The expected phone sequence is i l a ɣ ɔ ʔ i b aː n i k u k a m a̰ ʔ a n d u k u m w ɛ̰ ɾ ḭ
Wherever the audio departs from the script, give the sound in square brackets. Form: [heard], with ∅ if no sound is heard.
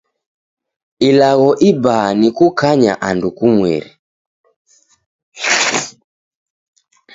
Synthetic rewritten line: i l a ɣ ɔ ʔ i b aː n i k u k a [ɲ] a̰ ʔ a n d u k u m w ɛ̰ ɾ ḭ